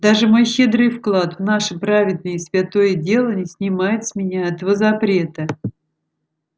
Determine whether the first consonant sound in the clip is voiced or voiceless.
voiced